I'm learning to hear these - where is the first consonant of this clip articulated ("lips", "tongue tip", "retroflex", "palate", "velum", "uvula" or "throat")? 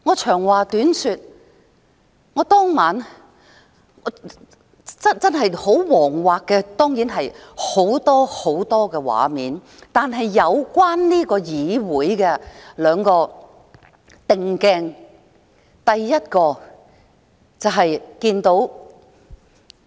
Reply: velum